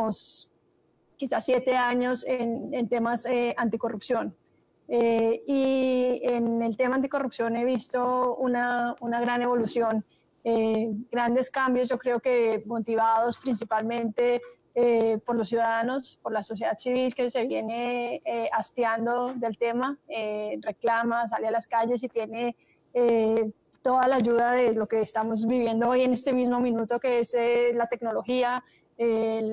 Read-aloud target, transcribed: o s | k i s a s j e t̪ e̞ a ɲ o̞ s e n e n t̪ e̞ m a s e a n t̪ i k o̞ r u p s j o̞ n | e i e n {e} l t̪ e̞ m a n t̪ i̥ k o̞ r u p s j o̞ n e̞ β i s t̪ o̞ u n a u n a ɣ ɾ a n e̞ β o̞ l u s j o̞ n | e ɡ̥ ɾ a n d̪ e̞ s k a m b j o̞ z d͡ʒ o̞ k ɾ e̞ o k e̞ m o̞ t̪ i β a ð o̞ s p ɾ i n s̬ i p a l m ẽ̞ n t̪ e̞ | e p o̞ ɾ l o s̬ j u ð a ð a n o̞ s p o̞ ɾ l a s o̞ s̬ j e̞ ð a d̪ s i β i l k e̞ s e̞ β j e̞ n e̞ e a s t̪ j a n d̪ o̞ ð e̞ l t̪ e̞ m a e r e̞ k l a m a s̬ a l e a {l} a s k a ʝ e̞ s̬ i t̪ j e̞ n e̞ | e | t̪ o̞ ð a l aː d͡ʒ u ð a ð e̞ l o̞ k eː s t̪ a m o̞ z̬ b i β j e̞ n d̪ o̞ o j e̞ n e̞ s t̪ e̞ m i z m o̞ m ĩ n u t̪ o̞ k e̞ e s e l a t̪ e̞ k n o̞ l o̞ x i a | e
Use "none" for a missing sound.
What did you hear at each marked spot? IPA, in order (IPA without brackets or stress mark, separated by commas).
e, l